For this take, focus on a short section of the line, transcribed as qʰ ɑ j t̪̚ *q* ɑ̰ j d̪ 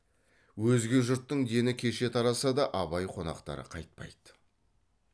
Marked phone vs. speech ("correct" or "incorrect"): incorrect